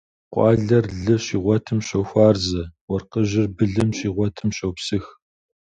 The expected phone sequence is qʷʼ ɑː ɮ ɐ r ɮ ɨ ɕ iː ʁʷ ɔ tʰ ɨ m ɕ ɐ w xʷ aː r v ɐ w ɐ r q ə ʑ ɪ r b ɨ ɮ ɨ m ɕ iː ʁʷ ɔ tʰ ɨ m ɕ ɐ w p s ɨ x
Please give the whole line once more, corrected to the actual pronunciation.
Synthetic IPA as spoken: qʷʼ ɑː ɮ ɐ r ɮ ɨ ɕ iː ʁʷ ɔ tʰ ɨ m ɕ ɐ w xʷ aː r z ɐ w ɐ r q ə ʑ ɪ r b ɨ ɮ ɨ m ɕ iː ʁʷ ɔ tʰ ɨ m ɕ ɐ w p s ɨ x